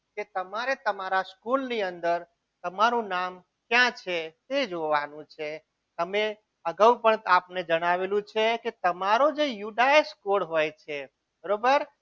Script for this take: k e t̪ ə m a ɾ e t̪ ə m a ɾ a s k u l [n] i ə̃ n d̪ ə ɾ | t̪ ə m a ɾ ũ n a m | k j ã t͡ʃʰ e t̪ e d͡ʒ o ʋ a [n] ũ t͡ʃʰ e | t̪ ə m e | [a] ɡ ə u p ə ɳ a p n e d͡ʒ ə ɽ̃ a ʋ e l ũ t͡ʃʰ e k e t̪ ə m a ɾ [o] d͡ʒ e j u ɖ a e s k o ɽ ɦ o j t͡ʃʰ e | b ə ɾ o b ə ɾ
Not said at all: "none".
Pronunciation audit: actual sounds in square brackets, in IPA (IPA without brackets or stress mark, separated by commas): n, n, ə, o